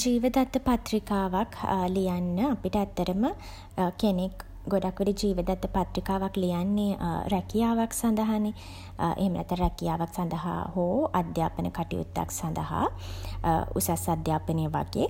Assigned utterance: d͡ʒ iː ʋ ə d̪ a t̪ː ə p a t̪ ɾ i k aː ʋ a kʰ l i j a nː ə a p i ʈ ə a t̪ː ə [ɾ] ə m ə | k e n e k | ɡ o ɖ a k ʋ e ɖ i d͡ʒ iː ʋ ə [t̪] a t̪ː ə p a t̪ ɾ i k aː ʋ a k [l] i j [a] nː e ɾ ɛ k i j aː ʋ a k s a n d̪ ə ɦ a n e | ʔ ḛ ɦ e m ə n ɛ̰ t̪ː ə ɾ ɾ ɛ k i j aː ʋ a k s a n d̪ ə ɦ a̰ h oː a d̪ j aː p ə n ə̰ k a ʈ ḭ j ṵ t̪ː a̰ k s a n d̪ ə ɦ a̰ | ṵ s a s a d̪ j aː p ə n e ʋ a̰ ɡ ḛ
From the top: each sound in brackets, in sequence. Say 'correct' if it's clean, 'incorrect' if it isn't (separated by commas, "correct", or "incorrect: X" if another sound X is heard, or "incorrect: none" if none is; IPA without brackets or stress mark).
correct, incorrect: d̪, correct, correct